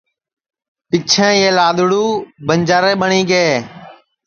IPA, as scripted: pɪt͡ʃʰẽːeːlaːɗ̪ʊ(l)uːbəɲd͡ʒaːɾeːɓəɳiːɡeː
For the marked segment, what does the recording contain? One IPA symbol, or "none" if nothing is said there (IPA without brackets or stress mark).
ɽ